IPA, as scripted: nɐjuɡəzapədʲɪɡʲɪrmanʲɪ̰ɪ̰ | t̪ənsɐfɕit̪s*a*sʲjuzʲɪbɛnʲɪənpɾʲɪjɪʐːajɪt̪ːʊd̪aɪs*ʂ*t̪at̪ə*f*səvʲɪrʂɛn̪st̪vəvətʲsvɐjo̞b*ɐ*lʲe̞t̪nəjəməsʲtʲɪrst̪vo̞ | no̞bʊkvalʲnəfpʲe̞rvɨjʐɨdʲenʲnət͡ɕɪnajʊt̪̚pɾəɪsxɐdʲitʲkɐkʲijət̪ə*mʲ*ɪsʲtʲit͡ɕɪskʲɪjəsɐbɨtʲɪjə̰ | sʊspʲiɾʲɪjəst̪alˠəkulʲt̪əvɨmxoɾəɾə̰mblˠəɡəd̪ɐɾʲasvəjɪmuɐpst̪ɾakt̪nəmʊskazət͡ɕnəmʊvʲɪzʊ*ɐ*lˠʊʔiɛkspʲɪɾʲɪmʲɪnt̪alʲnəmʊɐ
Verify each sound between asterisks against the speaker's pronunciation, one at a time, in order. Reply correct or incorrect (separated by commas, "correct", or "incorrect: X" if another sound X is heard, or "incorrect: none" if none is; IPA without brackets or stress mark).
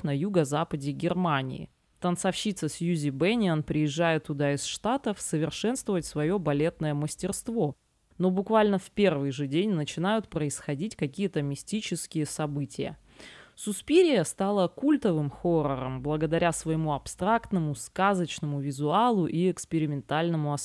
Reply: incorrect: ə, correct, correct, correct, correct, incorrect: a